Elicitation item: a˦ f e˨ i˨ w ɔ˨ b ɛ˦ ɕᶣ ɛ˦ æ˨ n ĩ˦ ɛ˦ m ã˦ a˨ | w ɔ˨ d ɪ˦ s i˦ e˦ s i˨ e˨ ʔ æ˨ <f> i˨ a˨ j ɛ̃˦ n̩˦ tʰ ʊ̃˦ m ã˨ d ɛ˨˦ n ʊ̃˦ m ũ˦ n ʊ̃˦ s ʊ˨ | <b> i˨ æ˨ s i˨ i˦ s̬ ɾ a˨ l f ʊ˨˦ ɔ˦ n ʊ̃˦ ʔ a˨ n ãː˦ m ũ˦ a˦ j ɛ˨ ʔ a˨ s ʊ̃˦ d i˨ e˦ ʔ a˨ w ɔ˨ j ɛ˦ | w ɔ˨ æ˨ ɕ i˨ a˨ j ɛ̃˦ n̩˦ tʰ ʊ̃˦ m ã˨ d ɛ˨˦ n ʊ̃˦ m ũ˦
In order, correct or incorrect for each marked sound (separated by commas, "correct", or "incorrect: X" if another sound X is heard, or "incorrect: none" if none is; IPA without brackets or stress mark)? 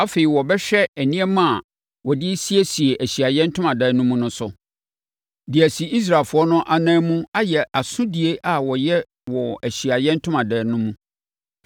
incorrect: ɕ, incorrect: d